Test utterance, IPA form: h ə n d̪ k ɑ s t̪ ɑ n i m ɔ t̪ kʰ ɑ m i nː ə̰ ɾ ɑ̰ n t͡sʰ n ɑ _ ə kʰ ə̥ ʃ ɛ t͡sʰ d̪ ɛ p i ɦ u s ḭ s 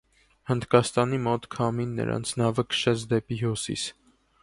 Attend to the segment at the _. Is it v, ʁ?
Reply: v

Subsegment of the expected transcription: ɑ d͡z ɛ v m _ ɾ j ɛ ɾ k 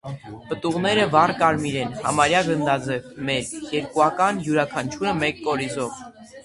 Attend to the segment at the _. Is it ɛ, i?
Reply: ɛ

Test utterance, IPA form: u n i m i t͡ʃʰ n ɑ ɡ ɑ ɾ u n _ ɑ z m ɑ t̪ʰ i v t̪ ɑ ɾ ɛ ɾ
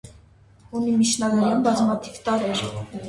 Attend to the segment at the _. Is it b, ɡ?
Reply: b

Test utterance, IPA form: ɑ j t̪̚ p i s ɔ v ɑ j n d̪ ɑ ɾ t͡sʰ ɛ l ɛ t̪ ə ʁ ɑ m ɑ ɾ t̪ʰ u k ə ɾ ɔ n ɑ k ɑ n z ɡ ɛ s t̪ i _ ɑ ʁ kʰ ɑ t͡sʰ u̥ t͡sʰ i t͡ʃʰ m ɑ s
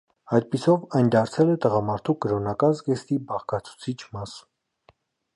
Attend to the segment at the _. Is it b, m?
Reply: b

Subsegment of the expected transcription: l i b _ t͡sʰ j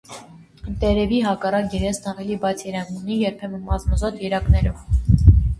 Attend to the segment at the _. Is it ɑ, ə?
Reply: ɑ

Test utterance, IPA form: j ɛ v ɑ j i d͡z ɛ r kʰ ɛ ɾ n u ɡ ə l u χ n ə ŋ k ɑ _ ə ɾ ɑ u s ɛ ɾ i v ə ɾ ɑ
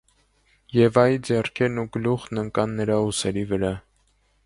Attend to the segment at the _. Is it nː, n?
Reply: nː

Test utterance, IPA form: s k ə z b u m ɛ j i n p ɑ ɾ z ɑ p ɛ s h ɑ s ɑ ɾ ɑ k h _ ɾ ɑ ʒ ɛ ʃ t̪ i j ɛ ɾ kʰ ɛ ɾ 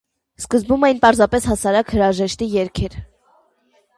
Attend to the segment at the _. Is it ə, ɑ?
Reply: ə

